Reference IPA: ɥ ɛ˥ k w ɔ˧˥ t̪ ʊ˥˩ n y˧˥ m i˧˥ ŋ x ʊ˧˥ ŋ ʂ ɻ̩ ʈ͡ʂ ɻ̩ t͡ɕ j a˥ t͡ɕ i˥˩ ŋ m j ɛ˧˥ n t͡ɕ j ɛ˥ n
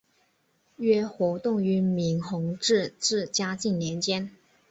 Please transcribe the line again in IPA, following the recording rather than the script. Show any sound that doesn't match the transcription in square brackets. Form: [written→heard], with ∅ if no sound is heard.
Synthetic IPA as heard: ɥ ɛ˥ [k→x] w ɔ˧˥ t̪ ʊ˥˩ [n→ŋ] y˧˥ m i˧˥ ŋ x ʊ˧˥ ŋ [ʂ→ʈ͡ʂ] ɻ̩ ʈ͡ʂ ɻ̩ t͡ɕ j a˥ t͡ɕ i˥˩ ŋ [m→n] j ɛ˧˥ n t͡ɕ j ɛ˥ n